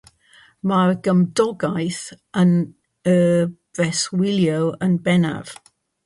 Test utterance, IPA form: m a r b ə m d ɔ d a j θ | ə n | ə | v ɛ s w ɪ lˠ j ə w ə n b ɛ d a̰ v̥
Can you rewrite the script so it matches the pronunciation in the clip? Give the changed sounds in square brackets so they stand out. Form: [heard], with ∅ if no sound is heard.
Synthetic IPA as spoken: m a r [ɡ] ə m d ɔ [ɡ] a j θ | ə n | ə | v ɛ s w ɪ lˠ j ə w ə n b ɛ [n] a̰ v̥